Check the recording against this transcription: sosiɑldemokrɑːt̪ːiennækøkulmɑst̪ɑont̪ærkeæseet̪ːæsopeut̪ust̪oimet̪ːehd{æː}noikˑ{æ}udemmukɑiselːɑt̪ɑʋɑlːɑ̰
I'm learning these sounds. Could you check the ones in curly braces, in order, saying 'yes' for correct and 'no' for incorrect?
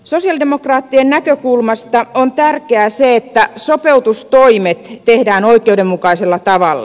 yes, no

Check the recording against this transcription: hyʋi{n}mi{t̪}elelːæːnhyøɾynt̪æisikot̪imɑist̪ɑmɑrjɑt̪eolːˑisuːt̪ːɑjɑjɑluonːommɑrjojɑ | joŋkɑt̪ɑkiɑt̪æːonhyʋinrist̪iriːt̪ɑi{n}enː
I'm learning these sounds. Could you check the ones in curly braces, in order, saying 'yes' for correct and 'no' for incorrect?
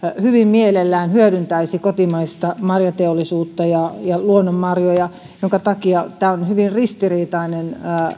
no, no, yes

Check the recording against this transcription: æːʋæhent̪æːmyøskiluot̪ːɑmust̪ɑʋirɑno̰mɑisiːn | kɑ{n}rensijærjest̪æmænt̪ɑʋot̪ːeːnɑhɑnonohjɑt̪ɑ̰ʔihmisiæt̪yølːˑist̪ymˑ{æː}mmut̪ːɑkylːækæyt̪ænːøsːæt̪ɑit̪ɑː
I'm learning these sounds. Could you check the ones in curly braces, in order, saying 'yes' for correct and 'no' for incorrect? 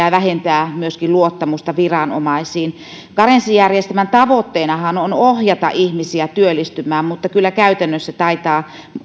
no, yes

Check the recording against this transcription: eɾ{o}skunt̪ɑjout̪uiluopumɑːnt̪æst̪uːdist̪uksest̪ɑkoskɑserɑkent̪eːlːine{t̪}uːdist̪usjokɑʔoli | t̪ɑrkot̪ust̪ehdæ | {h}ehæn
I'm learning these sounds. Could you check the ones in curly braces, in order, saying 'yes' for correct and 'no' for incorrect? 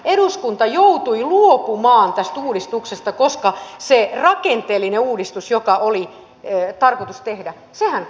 no, no, no

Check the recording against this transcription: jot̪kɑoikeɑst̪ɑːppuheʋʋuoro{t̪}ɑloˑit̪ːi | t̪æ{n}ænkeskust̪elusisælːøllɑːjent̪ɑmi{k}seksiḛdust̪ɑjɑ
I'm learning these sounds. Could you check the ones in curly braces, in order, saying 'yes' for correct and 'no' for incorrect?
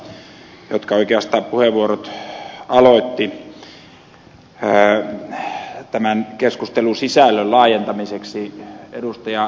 yes, no, no

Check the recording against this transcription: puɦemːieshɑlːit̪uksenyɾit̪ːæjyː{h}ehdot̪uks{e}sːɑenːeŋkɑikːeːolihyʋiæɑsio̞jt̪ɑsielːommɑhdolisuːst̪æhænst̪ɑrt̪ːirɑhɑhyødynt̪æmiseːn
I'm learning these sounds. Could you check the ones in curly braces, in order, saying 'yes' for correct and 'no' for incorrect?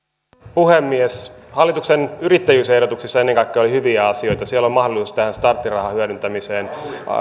no, no

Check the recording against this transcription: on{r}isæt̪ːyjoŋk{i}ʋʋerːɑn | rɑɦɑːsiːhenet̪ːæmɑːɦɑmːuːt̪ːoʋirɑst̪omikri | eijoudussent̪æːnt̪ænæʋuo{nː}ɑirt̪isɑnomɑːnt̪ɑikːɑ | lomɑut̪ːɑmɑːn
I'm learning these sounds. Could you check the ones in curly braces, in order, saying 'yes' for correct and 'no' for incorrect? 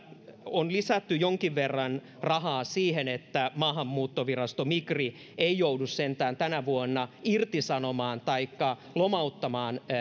no, yes, yes

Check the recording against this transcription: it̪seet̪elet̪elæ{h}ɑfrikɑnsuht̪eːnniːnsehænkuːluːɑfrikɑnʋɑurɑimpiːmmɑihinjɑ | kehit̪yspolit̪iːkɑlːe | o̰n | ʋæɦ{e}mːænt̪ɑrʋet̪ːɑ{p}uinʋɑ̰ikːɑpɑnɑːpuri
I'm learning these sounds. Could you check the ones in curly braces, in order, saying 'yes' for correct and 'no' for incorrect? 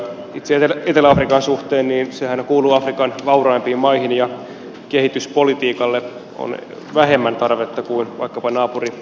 no, yes, no

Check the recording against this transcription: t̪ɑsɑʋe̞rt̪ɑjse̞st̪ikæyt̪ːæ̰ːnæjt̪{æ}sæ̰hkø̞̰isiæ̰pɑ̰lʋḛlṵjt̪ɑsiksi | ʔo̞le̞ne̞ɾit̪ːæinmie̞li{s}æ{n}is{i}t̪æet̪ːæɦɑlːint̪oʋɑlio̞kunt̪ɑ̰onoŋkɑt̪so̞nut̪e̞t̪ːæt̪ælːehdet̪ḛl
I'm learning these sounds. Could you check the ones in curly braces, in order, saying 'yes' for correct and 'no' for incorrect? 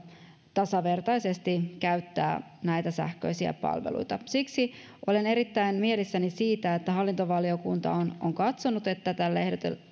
yes, no, yes, no

